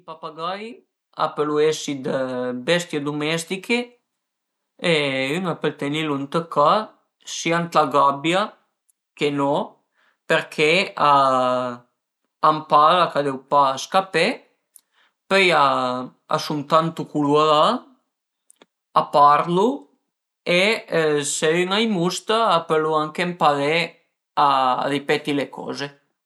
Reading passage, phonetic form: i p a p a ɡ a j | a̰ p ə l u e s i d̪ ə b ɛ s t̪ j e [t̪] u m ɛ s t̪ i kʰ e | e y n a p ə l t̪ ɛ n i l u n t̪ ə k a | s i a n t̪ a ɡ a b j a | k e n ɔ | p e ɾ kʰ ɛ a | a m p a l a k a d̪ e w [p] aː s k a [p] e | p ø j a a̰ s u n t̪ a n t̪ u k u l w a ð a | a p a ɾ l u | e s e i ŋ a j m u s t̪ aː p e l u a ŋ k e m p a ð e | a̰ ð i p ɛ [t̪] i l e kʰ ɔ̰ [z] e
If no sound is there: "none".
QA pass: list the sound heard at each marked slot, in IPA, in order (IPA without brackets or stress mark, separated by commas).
d̪, p, p, t̪, z